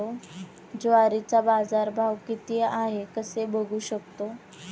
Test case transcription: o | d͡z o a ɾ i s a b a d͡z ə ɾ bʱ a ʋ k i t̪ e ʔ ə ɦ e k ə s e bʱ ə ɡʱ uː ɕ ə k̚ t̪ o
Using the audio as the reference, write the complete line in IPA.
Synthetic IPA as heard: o | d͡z o a ɾ i t͡s a b a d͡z a ɾ bʱ a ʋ k i t̪ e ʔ a ɦ e k ə s e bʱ ə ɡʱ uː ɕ ə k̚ t̪ o

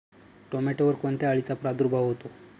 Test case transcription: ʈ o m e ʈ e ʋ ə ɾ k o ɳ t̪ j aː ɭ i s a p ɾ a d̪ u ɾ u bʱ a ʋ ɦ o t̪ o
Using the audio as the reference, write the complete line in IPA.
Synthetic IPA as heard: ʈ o m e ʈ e ʋ ə ɾ k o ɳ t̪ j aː ɭ i t͡s a p ɾ a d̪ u ɾ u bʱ a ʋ ɦ o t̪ o

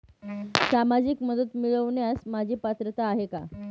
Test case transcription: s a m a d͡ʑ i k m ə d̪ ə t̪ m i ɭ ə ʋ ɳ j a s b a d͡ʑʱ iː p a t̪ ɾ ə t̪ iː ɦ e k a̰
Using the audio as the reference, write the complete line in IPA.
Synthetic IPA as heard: s a m a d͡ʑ i k m ə d̪ ə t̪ m i ɭ ə ʋ ɳ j a s m a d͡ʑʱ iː p a t̪ ɾ ə t̪ aː ɦ e k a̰

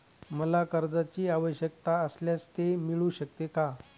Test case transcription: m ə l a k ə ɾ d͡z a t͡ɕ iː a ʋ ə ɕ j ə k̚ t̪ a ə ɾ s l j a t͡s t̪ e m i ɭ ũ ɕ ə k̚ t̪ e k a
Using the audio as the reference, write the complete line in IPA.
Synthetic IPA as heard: m ə l a k ə ɾ d͡z a t͡ɕ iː a ʋ ə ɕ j ə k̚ t̪ a ə s l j a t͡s t̪ e m i ɭ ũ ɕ ə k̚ t̪ e k a

